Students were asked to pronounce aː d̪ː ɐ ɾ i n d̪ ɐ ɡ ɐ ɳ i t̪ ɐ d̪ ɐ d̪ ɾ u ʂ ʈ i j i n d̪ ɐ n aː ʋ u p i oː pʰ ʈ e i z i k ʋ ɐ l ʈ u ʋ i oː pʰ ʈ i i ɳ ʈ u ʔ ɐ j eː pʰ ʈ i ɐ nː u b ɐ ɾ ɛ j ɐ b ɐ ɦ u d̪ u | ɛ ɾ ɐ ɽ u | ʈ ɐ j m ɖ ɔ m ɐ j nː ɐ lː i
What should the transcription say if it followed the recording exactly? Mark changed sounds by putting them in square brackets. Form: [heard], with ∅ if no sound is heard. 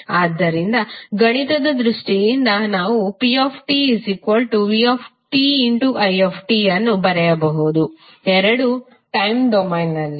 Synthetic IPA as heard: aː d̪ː ɐ ɾ i n d̪ ɐ ɡ ɐ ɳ i t̪ ɐ d̪ ɐ d̪ ɾ u ʂ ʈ i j i n d̪ ɐ n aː ʋ u p i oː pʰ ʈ [i] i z i k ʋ ɐ l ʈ u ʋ i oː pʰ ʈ i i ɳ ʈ u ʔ ɐ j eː pʰ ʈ i ɐ nː u b ɐ ɾ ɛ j ɐ b ɐ ɦ u d̪ u | ɛ ɾ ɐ ɽ u | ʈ ɐ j m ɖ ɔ m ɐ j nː ɐ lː i